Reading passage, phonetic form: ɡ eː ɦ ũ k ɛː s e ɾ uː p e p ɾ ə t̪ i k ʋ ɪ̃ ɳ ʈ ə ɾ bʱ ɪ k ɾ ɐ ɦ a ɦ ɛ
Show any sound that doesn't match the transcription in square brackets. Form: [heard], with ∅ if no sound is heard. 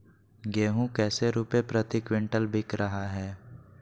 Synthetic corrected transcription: ɡ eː ɦ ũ k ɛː s e ɾ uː p e p ɾ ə t̪ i k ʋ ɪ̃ ɳ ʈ ə [l] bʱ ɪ k ɾ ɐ ɦ a ɦ [ɛː]

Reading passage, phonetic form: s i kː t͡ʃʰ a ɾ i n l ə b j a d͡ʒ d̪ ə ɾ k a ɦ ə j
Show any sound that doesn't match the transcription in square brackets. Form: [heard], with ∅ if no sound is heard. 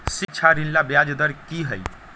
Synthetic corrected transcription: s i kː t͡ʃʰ a ɾ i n l [a] b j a d͡ʒ d̪ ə ɾ k [i] ɦ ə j

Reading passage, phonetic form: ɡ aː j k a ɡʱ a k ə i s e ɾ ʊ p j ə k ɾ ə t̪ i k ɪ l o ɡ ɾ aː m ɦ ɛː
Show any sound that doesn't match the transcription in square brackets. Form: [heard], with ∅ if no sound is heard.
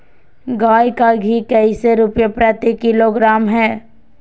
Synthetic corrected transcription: ɡ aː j k a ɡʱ [i] k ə i s e ɾ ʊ p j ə [p] ɾ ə t̪ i k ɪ l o ɡ ɾ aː m ɦ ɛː

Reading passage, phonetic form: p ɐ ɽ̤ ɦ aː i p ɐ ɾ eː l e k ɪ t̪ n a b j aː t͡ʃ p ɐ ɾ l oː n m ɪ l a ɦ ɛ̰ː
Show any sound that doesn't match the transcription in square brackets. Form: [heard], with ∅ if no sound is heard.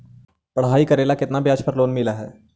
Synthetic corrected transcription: p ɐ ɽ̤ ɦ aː i [k] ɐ ɾ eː l [a] k ɪ t̪ n a b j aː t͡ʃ p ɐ ɾ l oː n m ɪ l a ɦ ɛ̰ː

